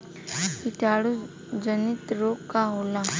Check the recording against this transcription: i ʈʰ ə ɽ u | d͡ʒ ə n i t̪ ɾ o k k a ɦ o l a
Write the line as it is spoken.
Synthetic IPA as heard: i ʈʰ a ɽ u | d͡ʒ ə n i t̪ ɾ o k k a ɦ o l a